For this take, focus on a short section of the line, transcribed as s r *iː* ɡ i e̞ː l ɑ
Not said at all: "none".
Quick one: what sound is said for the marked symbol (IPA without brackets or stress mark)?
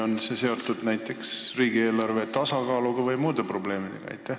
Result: iː